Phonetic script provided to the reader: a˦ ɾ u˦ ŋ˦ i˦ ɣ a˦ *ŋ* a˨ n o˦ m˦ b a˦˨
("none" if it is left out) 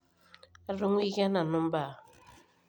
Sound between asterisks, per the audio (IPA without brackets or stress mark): n